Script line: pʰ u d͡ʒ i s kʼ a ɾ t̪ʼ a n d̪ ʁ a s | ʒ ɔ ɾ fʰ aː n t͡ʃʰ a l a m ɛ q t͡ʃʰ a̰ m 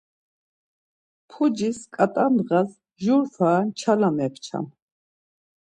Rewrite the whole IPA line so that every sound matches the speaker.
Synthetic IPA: pʰ u d͡ʒ i s kʼ a t̪ʼ a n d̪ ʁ a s | ʒ u ɾ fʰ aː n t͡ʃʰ a l a m ɛ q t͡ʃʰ a̰ m